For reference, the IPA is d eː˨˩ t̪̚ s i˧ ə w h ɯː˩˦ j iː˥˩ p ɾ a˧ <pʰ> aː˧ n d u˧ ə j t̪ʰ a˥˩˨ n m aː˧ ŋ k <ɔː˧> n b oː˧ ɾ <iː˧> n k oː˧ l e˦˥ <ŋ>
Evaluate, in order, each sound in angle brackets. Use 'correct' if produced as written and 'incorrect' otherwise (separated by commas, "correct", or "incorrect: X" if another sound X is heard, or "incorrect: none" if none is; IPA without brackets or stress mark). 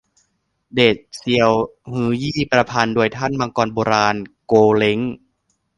correct, correct, incorrect: aː˧, correct